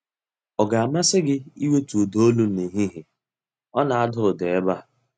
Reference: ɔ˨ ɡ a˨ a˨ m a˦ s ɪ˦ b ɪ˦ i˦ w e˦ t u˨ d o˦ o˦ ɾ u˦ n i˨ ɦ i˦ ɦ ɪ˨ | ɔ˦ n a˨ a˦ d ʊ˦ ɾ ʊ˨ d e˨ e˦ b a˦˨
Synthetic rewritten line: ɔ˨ ɡ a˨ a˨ m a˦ s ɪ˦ ɡ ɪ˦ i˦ w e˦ t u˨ d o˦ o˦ l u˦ n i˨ ɦ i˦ ɦ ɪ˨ | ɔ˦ n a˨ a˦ d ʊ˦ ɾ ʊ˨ d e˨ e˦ b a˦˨

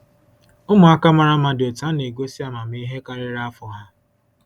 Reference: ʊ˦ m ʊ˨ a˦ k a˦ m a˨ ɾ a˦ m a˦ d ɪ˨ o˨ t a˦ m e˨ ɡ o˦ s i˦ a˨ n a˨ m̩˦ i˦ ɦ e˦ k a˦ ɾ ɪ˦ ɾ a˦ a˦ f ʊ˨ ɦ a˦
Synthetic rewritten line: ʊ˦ m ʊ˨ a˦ k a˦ m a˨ ɾ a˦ m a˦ d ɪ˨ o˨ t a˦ n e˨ ɡ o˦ s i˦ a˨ m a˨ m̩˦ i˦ ɦ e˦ k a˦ ɾ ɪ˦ ɾ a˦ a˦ f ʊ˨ ɦ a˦

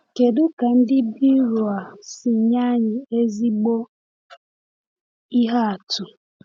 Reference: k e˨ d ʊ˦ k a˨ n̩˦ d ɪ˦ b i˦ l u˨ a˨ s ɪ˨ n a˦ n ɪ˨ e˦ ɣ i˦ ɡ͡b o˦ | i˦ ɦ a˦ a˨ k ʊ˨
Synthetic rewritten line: k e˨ d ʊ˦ k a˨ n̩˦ d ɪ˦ b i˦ ɾ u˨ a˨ s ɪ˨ ɲ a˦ ɲ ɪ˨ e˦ z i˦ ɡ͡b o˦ | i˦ ɦ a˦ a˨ t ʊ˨

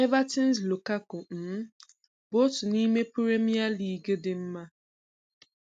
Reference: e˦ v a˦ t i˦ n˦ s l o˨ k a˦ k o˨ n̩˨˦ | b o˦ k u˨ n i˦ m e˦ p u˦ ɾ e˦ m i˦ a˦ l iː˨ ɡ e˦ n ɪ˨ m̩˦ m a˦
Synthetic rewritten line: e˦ v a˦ t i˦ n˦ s l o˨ k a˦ k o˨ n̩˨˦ | b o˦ t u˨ n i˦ m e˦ p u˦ ɾ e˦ m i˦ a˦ l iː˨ ɡ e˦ d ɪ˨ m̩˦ m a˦

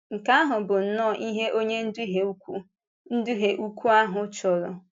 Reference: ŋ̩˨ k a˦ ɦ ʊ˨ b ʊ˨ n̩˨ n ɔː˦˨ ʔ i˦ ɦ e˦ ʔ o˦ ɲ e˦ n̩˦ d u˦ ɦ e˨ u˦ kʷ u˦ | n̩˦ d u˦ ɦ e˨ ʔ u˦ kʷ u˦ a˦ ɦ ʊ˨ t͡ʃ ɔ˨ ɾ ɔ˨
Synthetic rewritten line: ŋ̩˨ k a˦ ɦ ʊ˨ b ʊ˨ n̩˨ n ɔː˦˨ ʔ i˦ ɦ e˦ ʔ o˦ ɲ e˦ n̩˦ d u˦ ɦ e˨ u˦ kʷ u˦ | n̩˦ d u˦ ɦ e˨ ʔ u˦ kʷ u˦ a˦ ɦ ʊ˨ t͡ʃ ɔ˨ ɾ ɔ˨

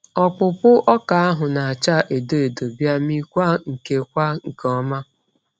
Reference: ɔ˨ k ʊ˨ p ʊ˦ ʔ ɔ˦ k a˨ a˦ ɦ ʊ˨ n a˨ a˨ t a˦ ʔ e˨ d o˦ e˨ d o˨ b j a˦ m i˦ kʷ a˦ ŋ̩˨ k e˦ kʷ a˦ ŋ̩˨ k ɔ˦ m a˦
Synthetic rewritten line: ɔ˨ k͡p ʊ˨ p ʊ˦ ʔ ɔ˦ k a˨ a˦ ɦ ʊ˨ n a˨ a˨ t͡ʃ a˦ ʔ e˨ d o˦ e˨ d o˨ b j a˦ m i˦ kʷ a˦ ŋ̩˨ k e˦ kʷ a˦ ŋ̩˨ k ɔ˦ m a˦

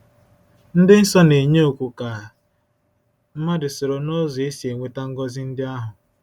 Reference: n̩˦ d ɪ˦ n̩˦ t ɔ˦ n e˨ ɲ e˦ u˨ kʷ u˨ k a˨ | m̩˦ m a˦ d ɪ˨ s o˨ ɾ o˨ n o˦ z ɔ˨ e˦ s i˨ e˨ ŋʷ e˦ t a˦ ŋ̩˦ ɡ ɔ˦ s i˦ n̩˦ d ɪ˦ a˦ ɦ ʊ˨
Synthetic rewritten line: n̩˦ d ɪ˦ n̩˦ s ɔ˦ n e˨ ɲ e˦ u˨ kʷ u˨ k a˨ | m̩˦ m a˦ d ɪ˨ s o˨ ɾ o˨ n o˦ z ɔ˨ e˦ s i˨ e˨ ŋʷ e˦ t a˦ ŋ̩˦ ɡ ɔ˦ z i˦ n̩˦ d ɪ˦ a˦ ɦ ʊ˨

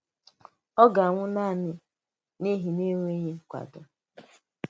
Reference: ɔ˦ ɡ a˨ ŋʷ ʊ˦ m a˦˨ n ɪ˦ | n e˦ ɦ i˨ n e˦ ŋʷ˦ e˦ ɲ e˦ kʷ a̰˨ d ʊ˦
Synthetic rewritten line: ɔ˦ ɡ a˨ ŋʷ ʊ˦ n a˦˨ n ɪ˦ | n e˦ ɦ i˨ n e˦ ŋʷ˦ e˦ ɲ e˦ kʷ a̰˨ d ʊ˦

